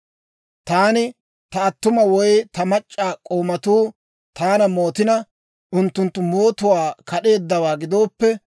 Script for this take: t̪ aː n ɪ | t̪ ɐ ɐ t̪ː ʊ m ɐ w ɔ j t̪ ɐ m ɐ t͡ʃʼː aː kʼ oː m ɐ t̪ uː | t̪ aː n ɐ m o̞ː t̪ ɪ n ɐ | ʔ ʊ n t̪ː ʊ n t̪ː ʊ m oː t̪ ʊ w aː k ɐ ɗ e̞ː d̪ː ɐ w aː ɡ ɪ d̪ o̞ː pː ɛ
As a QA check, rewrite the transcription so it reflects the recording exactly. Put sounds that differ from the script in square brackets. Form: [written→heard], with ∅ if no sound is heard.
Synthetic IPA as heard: t̪ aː n ɪ | t̪ ɐ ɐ t̪ː ʊ m ɐ w ɔ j t̪ ɐ m ɐ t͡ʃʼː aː kʼ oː m ɐ t̪ uː | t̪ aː n ɐ m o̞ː t̪ ɪ n ɐ | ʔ ʊ n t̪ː ʊ n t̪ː ʊ m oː t̪ ʊ w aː k ɐ ɗ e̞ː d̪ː ɐ w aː ɡ ɪ d̪ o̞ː pː ɛ